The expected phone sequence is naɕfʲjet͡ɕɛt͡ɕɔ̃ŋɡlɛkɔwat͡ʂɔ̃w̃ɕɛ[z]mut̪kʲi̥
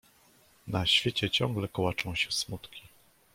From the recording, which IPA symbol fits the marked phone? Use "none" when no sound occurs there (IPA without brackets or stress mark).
s